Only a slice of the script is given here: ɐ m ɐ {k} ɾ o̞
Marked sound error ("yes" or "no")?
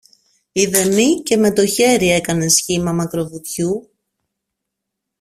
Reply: no